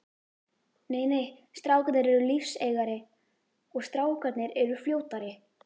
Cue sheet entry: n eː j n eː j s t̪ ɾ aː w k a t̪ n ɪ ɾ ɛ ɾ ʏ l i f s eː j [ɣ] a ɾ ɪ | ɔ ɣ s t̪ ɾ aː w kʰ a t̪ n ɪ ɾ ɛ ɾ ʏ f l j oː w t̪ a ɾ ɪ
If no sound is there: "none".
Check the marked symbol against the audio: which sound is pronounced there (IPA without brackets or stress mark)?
ɣ